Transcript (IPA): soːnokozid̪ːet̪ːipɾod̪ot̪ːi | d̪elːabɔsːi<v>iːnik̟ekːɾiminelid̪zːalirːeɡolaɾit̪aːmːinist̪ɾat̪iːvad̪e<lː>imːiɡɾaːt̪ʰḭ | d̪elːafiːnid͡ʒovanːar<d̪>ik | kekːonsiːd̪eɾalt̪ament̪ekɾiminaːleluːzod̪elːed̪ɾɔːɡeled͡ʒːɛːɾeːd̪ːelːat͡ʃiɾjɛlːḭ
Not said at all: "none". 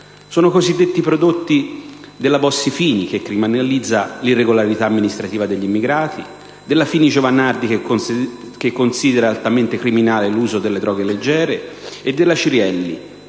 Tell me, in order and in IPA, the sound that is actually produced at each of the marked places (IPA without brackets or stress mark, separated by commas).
f, ʎː, d̪